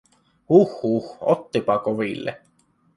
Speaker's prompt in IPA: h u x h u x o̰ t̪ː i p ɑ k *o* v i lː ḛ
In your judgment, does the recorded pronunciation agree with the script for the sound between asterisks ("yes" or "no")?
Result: yes